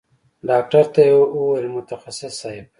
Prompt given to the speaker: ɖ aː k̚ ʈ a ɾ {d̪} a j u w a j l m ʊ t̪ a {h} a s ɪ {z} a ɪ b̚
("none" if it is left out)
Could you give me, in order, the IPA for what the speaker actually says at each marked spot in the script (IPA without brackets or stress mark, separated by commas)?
t̪, x, s